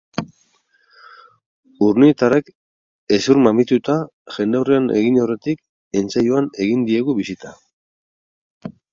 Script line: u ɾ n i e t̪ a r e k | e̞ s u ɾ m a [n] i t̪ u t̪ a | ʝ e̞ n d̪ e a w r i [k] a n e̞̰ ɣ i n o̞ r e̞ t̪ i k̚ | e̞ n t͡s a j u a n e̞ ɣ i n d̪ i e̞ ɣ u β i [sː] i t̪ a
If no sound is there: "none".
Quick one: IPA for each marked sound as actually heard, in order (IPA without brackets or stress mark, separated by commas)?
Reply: m, none, s